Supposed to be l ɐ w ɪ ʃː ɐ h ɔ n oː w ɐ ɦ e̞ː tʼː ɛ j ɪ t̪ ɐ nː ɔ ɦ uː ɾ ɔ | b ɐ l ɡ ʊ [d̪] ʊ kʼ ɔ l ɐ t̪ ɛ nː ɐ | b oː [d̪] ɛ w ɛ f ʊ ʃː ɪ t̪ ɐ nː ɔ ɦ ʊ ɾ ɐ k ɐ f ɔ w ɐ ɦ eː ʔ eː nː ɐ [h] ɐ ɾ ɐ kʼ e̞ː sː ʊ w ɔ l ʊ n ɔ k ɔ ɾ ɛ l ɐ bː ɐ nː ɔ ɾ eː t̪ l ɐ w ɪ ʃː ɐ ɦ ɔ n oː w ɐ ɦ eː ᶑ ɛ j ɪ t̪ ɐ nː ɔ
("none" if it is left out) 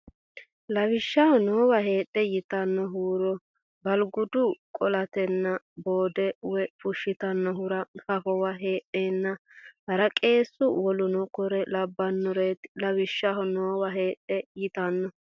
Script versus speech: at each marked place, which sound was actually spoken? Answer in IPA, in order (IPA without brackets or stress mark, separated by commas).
d̪, d̪, h